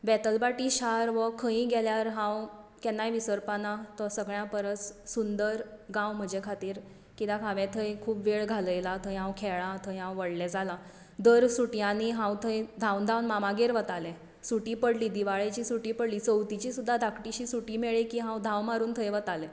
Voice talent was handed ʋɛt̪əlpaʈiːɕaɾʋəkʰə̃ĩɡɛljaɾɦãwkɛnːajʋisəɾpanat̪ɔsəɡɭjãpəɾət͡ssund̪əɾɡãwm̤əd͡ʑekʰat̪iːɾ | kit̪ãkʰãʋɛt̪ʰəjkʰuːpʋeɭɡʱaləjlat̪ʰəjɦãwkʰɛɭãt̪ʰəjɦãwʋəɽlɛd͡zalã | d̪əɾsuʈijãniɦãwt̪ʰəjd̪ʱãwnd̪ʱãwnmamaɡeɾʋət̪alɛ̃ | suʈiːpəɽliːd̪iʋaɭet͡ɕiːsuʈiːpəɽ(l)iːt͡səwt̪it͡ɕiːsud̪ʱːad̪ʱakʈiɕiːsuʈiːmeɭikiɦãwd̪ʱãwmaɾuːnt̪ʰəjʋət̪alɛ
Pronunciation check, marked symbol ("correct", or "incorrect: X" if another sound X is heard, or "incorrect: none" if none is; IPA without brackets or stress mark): correct